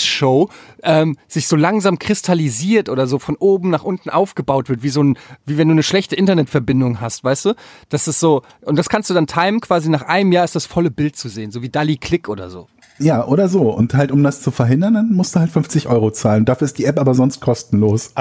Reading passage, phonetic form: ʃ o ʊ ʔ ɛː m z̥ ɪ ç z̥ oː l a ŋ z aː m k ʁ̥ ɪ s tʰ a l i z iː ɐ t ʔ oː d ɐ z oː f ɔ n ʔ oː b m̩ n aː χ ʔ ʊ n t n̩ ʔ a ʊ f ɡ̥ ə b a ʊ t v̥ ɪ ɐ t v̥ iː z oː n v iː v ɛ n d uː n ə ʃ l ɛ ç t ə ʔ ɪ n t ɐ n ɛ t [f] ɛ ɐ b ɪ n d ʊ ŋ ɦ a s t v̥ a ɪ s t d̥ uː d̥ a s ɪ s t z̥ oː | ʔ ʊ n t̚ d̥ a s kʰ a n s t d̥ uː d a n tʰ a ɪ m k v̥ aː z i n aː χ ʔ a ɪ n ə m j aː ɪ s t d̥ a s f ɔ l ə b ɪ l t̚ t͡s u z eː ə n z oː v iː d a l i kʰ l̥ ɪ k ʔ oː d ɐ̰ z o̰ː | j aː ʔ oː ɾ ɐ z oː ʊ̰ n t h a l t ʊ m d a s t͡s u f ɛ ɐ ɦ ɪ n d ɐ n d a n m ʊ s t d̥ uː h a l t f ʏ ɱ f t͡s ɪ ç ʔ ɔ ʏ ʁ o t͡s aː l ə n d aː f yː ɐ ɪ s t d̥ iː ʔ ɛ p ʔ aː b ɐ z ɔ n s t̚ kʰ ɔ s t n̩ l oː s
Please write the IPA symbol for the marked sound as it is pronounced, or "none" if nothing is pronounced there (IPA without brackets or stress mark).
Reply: f